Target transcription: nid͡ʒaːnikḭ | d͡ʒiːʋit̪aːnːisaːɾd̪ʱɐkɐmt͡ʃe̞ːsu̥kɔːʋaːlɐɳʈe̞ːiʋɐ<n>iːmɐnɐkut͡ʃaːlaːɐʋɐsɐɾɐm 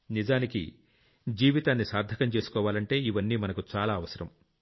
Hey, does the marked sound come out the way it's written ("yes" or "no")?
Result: no